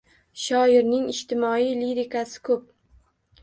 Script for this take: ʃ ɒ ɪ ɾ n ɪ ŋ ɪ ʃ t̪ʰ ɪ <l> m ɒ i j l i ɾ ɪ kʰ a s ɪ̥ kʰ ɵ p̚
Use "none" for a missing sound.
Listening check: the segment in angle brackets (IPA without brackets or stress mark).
none